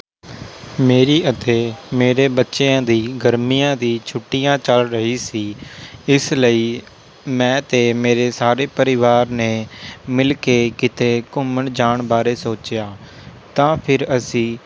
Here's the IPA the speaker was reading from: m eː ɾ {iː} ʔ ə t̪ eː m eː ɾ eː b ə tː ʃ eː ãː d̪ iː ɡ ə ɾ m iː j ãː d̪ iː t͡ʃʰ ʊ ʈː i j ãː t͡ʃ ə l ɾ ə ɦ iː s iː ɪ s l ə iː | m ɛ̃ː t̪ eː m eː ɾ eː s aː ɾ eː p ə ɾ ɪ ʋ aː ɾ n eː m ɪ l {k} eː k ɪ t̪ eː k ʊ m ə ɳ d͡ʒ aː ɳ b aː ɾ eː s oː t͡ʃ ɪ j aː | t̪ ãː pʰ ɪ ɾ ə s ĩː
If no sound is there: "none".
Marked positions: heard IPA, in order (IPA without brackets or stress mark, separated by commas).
iː, k